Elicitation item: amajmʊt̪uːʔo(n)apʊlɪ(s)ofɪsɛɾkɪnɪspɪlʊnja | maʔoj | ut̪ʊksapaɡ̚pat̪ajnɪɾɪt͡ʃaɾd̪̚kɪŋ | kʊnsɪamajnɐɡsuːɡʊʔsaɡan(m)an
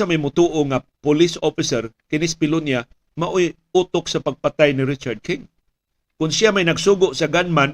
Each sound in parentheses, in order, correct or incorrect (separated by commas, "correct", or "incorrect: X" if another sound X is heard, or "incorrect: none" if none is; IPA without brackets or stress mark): incorrect: ŋ, correct, correct